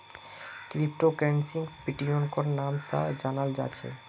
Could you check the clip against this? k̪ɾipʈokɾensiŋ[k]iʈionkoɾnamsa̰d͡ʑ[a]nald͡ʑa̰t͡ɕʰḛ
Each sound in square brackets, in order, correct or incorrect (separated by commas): incorrect, correct